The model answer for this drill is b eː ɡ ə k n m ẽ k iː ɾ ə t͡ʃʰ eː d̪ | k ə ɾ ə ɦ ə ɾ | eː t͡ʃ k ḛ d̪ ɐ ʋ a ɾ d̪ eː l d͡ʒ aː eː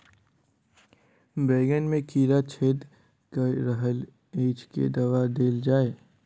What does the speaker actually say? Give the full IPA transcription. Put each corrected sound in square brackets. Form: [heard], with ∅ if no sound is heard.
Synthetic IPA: b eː ɡ ə [∅] n m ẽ k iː ɾ [a] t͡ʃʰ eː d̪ | k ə ɾ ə ɦ ə [l] | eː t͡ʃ k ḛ d̪ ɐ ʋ a [∅] d̪ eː l d͡ʒ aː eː